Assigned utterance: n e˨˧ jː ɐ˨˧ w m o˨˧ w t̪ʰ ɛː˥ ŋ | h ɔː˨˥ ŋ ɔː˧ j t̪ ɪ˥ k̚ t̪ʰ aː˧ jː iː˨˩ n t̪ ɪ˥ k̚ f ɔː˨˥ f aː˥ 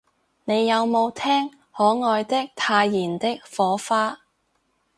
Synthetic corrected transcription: n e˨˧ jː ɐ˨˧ w m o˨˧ w t̪ʰ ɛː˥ ŋ | h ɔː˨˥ ŋ ɔː˧ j t̪ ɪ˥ k̚ t̪ʰ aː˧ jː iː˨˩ n t̪ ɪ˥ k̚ f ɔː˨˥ f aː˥

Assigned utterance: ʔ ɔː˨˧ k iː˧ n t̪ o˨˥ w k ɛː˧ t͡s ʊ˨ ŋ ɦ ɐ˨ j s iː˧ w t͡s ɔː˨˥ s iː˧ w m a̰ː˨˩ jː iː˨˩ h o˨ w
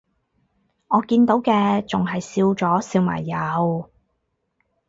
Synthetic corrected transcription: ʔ ɔː˨˧ k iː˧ n t̪ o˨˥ w k ɛː˧ t͡s ʊ˨ ŋ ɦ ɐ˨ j s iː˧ w t͡s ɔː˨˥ s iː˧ w m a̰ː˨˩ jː aː˨˩ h o˨ w

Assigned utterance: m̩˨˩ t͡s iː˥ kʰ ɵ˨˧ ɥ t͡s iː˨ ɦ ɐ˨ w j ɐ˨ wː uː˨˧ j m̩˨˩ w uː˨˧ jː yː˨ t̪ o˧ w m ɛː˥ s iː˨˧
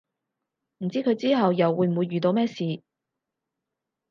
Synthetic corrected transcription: m̩˨˩ t͡s iː˥ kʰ ɵ˨˧ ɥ t͡s iː˥ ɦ ɐ˨ w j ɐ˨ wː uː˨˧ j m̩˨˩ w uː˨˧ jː yː˨ t̪ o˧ w m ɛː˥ s iː˨˧

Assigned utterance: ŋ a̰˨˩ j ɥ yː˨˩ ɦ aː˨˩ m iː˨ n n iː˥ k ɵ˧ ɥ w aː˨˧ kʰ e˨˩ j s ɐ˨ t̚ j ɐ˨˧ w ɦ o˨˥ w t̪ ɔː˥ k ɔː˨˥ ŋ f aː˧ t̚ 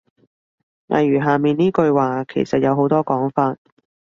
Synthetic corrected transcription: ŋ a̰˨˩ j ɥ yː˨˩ ɦ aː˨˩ m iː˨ n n iː˥ k ɵ˧ ɥ w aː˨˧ kʰ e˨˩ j s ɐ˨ t̚ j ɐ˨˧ w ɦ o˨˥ w t̪ ɔː˥ k ɔː˨˥ ŋ f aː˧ t̚

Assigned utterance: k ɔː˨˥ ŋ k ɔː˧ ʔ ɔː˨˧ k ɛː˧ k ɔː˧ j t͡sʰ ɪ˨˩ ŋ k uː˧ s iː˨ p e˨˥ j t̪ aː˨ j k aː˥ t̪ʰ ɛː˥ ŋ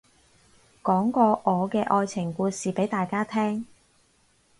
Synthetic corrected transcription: k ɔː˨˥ ŋ k ɔː˧ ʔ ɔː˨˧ k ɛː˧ ʔ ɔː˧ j t͡sʰ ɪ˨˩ ŋ k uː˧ s iː˨ p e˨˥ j t̪ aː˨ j k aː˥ t̪ʰ ɛː˥ ŋ

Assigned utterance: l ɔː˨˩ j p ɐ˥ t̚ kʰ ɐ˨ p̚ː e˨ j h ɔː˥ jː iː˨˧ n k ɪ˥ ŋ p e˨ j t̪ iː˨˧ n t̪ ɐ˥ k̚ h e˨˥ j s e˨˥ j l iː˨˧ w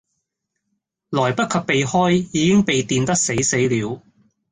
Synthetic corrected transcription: l ɔː˨˩ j p ɐ˥ t̚ kʰ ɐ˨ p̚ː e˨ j h ɔː˥ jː iː˨˧ k ɪ˥ ŋ p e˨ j t̪ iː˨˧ n t̪ ɐ˥ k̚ s e˨˥ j s e˨˥ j l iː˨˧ w

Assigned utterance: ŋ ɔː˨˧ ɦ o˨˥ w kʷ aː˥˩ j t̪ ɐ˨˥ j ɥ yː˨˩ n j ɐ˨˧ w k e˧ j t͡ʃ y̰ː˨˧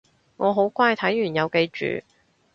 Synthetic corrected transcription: ŋ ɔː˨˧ ɦ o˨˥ w kʷ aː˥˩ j t̪ʰ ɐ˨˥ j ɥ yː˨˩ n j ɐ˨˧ w k e˧ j t͡ʃ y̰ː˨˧

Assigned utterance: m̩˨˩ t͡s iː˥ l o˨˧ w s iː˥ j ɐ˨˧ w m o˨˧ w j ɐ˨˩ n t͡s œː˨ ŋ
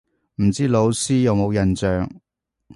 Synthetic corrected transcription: m̩˨˩ t͡s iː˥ l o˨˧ w s iː˥ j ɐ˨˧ w m o˨˧ w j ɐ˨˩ n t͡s œː˨ ŋ

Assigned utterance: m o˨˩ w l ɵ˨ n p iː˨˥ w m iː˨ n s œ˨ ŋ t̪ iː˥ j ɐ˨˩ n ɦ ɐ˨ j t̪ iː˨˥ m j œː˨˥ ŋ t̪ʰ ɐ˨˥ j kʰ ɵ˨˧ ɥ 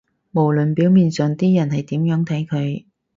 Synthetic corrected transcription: m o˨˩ w l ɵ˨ n p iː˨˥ w m iː˨ n s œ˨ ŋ t̪ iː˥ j ɐ˨˩ n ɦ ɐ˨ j t̪ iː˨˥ m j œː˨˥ ŋ t̪ʰ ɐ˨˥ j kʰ ɵ˨˧ ɥ

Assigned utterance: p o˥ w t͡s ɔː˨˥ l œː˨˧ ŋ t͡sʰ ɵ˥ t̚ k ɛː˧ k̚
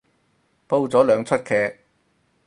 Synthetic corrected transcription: p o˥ w t͡s ɔː˨˥ l œː˨˧ ŋ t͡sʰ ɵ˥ t̚ kʰ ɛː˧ k̚

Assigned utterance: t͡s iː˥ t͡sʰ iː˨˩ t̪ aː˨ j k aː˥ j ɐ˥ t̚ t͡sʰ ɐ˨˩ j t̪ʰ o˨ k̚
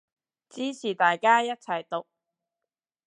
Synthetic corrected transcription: t͡s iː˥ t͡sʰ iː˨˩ t̪ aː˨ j k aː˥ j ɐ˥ t̚ t͡sʰ ɐ˨˩ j t̪ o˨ k̚

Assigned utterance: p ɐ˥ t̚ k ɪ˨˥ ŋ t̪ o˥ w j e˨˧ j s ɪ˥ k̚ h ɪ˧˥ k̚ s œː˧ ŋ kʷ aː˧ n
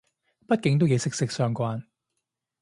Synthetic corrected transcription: p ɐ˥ t̚ k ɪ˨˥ ŋ t̪ o˥ w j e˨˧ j s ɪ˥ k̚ s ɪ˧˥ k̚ s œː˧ ŋ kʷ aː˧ n

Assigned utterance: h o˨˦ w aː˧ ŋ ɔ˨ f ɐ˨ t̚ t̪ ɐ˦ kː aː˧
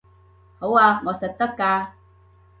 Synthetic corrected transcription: h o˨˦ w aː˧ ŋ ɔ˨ s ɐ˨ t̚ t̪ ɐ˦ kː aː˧

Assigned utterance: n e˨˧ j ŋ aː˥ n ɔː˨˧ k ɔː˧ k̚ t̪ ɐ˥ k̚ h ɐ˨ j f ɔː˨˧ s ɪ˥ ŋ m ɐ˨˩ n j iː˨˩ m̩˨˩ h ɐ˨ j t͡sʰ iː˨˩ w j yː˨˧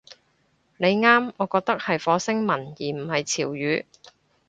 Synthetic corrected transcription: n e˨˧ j ŋ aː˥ m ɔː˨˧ k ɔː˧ k̚ t̪ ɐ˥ k̚ h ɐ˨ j f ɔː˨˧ s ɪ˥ ŋ m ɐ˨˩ n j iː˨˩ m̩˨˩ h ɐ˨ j t͡sʰ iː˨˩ w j yː˨˧

